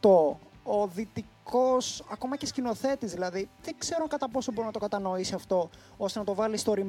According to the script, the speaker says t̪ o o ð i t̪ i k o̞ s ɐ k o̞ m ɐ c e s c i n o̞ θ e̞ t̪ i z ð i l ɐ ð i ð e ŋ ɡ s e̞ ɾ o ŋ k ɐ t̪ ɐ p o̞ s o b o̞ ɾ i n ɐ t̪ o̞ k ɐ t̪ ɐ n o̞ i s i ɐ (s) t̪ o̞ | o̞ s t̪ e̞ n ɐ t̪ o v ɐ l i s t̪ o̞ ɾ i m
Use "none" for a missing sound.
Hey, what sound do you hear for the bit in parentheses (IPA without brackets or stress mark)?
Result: f